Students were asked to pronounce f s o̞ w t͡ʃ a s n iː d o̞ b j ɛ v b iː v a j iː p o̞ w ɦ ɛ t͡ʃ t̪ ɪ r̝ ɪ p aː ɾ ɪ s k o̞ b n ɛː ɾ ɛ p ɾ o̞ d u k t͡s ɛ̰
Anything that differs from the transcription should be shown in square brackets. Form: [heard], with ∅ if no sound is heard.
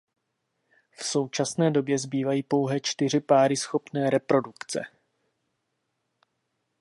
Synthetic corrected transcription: f s o̞ w t͡ʃ a s n [ɛː] d o̞ b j ɛ [z] b iː v a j iː p o̞ w ɦ ɛ t͡ʃ t̪ ɪ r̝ ɪ p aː ɾ ɪ s [x] o̞ [p] n ɛː ɾ ɛ p ɾ o̞ d u k t͡s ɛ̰